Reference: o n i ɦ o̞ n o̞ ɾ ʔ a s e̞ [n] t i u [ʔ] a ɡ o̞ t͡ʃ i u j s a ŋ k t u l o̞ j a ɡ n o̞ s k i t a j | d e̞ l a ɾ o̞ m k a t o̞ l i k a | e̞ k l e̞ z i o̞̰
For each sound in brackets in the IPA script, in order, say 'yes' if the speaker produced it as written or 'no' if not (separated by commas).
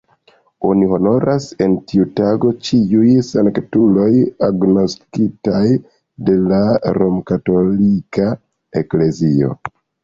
yes, no